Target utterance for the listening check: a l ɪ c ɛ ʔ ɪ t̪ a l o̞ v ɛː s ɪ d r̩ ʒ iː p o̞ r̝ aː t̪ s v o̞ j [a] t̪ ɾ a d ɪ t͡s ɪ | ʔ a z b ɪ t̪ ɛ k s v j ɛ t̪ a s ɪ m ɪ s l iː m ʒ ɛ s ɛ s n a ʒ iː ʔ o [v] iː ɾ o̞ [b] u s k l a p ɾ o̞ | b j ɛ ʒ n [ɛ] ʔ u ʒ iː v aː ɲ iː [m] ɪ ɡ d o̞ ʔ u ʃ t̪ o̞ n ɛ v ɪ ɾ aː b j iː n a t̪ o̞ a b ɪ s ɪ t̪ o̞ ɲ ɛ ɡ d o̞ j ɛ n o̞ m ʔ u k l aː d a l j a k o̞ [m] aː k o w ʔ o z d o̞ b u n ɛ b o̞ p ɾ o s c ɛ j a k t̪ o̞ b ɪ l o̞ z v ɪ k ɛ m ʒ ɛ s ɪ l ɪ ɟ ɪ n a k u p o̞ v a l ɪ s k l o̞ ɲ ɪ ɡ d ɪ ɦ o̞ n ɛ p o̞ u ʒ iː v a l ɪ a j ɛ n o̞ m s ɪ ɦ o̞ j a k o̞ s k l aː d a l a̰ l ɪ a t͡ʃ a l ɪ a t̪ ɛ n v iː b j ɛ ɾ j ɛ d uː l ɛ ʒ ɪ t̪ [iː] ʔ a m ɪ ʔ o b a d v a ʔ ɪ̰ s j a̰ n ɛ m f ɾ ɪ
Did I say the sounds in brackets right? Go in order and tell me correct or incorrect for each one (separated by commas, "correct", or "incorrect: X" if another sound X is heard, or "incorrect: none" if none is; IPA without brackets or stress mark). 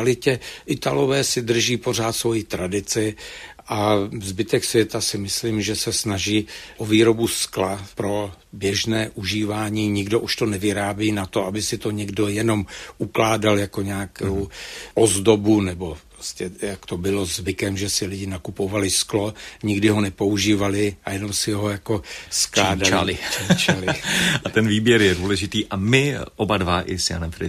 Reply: incorrect: i, correct, correct, incorrect: ɛː, incorrect: ɲ, incorrect: ɲ, correct